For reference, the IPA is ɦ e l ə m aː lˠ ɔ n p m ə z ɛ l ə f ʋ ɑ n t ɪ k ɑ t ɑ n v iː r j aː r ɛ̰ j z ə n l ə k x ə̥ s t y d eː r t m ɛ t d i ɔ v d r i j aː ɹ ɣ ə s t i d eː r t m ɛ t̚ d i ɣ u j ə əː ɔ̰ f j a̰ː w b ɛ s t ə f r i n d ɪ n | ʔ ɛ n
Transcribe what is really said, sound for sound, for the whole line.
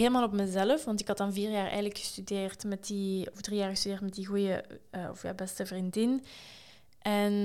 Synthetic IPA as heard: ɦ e l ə m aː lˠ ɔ p m ə z ɛ l ə f ʋ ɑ n t ɪ k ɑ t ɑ n v iː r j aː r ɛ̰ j ɣ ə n l ə k x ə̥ s t y d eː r t m ɛ t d i ɔ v d r i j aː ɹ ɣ ə s t y d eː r t m ɛ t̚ d i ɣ u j ə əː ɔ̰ f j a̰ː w b ɛ s t ə v r i n d ɪ n | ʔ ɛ n